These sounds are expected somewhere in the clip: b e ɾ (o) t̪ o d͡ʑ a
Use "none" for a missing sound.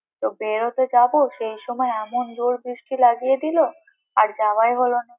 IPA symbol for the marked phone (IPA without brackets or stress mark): o